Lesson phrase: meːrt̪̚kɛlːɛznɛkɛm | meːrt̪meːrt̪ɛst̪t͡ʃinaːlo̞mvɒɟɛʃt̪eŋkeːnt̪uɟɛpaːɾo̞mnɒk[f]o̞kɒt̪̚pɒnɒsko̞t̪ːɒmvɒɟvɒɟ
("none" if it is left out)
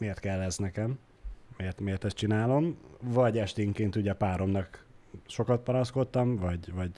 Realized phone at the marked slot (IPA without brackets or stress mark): ʃ